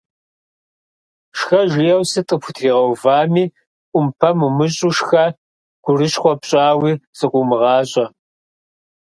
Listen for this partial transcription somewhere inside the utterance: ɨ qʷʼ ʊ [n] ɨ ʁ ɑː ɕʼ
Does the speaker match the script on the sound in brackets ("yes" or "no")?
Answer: no